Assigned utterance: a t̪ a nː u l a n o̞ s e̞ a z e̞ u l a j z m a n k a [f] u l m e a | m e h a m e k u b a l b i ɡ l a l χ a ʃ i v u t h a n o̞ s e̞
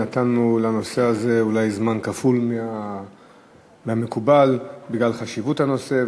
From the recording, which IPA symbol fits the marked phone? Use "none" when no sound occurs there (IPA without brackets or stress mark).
f